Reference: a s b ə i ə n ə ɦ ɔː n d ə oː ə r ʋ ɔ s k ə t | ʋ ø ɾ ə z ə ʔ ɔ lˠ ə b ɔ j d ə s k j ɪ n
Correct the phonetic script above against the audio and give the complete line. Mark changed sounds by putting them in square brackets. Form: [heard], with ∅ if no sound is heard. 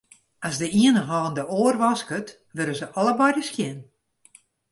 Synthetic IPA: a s [d] ə i ə n ə ɦ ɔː n d ə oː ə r ʋ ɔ s k ə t | ʋ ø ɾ ə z ə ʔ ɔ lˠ ə b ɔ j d ə s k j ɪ n